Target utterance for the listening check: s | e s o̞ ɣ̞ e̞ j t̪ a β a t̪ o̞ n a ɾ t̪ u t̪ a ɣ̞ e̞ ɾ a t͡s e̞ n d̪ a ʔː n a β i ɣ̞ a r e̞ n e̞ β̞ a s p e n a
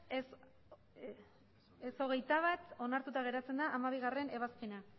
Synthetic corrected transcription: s | e s o̞ ɣ̞ e̞ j t̪ a β a t̪ o̞ n a ɾ t̪ u t̪ a ɣ̞ e̞ ɾ a t͡s e̞ n d̪ a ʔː m a β i ɣ̞ a r e̞ n e̞ β̞ a s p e n a

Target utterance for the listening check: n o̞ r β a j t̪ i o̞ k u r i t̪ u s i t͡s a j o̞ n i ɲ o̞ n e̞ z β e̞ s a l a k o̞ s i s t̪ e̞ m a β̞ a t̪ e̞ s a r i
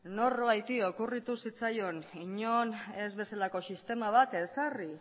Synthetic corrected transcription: n o̞ r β a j t̪ i o̞ k u r i t̪ u s i t͡s a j o̞ n i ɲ o̞ n e̞ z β e̞ s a l a k o̞ s i s t̪ e̞ m a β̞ a t̪ e̞ s a r i

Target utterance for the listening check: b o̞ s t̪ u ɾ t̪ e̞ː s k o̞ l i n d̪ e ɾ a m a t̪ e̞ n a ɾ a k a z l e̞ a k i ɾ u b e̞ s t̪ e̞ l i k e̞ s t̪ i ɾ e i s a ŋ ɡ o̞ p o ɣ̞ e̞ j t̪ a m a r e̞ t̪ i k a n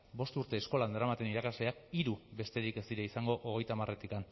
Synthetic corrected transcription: b o̞ s t̪ u ɾ t̪ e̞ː s k o̞ l a n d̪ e ɾ a m a t̪ e̞ n i ɾ a k a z l e̞ a k i ɾ u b e̞ s t̪ e̞ ɾ i k e̞ s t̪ i ɾ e i s a ŋ ɡ o̞ ʔ o ɣ̞ e̞ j t̪ a m a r e̞ t̪ i k a n

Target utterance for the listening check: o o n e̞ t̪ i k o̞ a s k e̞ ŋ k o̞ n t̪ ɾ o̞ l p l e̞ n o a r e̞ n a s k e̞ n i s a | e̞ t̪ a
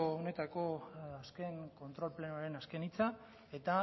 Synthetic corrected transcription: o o n e̞ t̪ a k o̞ a s k e̞ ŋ k o̞ n t̪ ɾ o̞ l p l e̞ n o a ɾ e̞ n a s k e̞ n i t͡s a | e̞ t̪ a

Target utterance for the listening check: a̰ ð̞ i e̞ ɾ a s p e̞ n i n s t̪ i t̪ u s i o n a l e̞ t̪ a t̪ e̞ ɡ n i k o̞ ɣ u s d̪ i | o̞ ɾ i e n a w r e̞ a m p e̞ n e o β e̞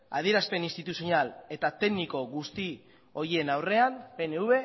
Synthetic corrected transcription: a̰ ð̞ i e̞ ɾ a s p e̞ n i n s t̪ i t̪ u s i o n a l e̞ t̪ a t̪ e̞ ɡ n i k o̞ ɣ u s t̪ i | o̞ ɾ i e n a w r e̞ a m p e̞ n e u β e̞

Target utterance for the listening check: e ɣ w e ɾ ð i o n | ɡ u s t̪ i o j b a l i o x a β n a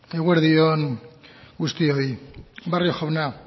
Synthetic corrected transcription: e ɣ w e ɾ ð i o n | ɡ u s t̪ i o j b a r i o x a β n a

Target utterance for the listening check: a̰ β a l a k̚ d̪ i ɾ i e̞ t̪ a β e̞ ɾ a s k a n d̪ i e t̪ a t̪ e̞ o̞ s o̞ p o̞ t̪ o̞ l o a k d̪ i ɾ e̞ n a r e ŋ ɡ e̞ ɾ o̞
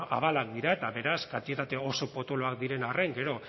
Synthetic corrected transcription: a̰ β a l a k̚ d̪ i ɾ a e̞ t̪ a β e̞ ɾ a s k a n t̪ i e t̪ a t̪ e̞ o̞ s o̞ p o̞ t̪ o̞ l o a k d̪ i ɾ e̞ n a r e ŋ ɡ e̞ ɾ o̞

